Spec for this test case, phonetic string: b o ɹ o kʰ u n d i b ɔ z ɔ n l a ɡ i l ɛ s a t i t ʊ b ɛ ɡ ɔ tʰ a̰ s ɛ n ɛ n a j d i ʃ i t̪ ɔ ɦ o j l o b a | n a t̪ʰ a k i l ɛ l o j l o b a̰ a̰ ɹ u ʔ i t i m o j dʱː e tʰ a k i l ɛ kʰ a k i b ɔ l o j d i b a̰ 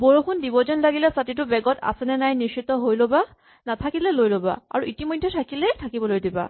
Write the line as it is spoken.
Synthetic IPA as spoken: b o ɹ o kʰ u n d i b ɔ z ɔ n l a ɡ i l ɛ s a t i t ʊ b ɛ ɡ ɔ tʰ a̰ s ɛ n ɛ n a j n i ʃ i t̪ ɔ ɦ o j l o b a | n a t̪ʰ a k i l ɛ l o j l o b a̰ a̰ ɹ u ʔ i t i m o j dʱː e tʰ a k i l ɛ tʰ a k i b ɔ l o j d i b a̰